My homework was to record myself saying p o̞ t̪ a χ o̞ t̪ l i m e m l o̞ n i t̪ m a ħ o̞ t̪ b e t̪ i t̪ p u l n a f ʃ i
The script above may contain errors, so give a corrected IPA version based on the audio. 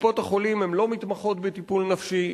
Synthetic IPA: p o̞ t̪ a χ o̞ l i m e m l o̞ m i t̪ m a χ o̞ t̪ b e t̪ i p u l n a f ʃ i

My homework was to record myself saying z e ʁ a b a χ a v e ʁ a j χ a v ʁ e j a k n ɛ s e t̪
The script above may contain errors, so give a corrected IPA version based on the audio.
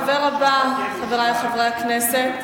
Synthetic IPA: v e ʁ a b a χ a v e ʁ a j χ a v ʁ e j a k n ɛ s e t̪

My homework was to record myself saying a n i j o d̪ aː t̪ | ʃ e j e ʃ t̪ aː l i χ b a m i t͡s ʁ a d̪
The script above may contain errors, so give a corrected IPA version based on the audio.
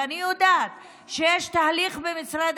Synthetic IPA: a n i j o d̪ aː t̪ | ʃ e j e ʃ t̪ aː l i χ b e m i t͡s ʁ a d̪

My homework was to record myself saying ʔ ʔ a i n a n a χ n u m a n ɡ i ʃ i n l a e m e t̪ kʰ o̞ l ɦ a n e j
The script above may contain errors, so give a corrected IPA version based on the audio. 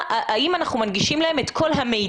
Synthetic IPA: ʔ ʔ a i m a n a χ n u m a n ɡ i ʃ i m l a e m e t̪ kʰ o̞ l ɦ a m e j

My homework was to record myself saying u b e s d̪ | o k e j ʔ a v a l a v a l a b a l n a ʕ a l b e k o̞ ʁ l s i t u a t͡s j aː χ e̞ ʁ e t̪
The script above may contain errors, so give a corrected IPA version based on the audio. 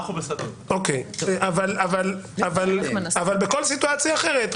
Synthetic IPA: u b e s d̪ | o k e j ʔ a v a l a v a l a v a l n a v a l b e k o̞ l s i t u a t͡s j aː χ e̞ ʁ e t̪

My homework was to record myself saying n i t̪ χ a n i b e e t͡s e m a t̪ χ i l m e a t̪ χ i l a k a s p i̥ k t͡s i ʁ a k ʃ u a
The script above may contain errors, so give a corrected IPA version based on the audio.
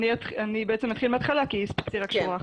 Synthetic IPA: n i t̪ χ a n i b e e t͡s e m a t̪ χ i l m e a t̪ χ a l a k i s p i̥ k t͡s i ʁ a k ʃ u a

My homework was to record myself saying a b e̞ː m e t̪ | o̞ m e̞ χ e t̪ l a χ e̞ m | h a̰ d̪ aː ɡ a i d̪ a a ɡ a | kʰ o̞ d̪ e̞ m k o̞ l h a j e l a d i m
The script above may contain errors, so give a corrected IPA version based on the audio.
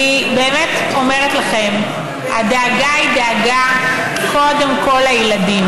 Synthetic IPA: i b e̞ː m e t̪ | o̞ m e̞ ʁ e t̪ l a χ e̞ m | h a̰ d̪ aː ɡ a i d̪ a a ɡ a | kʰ o̞ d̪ e̞ m k o̞ l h a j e l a d i m

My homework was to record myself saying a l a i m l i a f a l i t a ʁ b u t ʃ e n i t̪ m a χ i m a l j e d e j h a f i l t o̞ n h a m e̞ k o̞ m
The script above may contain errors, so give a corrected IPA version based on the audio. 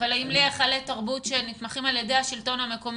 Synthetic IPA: a l a i m l i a χ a l e t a ʁ b u t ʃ e n i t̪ m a χ i m a l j e d e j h a ʃ i l t o̞ n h a m e̞ k o̞ m

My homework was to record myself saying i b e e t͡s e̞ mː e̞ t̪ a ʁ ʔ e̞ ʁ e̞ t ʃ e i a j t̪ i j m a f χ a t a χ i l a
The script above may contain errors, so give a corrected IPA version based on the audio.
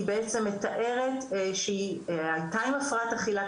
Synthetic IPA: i b e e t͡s e̞ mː e̞ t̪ a ʔ e̞ ʁ e̞ t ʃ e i a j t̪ a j m a f ʁ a t a χ i l a

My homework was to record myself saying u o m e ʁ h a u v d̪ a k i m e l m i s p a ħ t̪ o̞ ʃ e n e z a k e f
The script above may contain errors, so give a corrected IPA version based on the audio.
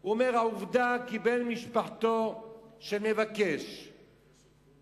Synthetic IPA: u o m e ʁ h a u v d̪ a k i b e l m i ʃ p a ħ t̪ o̞ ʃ e n e v a k e ʃ

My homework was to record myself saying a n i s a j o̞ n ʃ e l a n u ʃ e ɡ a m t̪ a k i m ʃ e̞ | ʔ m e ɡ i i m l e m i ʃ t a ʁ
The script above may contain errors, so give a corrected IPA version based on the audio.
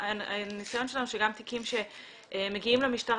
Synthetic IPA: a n i s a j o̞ n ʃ e l a n u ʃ e ɡ a m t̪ i k i m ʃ e̞ | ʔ m e ɡ i i m l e m i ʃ t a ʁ

